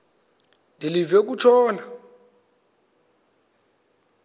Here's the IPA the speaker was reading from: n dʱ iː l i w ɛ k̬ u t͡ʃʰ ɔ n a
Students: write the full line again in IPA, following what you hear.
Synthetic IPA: n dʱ i l i v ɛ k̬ u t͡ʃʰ ɔː n a